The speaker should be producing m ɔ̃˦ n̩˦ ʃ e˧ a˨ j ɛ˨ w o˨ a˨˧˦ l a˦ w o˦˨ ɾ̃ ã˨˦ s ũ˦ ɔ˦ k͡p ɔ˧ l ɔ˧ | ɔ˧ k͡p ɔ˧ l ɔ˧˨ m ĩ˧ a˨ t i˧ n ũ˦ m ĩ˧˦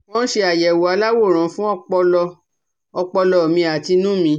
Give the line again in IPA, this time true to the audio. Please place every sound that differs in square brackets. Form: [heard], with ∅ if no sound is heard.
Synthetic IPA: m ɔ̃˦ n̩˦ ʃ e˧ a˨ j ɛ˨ w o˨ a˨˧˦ l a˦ w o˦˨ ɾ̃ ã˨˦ [f] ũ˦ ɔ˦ k͡p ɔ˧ l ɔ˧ | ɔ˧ k͡p ɔ˧ l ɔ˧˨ m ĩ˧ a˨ t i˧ n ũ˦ m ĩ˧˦